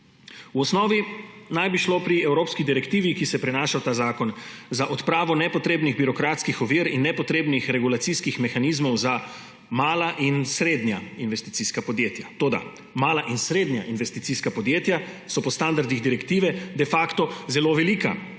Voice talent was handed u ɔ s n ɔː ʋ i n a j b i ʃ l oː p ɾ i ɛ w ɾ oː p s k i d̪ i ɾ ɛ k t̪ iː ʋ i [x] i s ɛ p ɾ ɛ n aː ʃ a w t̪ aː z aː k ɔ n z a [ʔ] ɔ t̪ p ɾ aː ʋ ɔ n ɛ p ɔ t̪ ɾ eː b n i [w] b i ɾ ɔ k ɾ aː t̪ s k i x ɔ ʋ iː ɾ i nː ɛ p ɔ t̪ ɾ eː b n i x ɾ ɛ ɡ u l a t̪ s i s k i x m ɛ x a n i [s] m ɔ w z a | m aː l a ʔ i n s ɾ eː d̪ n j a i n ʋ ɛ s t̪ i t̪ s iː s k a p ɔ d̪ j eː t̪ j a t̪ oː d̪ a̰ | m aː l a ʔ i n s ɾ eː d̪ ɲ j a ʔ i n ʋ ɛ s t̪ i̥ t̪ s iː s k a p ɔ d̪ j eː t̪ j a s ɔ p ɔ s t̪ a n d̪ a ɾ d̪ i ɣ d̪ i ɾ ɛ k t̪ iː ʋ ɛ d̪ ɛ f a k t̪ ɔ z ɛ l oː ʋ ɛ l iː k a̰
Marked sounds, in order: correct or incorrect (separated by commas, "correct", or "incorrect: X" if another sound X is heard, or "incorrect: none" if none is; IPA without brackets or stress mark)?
incorrect: k, correct, incorrect: ɣ, incorrect: z